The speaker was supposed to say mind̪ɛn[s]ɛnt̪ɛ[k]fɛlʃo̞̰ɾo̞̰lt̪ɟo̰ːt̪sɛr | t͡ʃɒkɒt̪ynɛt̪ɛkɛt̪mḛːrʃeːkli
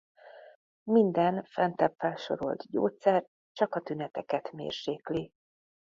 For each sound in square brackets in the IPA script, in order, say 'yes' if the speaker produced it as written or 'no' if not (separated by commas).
no, no